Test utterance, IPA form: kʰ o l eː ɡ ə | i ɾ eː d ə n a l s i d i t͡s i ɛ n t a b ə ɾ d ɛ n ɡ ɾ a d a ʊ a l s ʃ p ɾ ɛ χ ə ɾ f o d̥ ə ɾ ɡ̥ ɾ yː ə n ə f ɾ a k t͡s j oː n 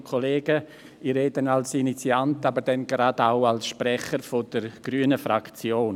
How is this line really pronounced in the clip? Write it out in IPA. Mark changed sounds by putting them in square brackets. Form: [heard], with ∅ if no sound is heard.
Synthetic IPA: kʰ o l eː ɡ ə | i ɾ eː d ə n a l s i [n] i t͡s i [a] n t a b ə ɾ d ɛ n ɡ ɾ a d a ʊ a l s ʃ p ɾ ɛ χ ə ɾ f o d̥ ə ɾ ɡ̥ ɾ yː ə n ə f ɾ a k t͡s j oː n